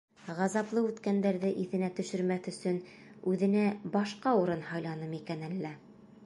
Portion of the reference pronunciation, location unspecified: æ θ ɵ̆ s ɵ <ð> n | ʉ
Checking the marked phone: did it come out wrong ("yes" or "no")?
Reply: yes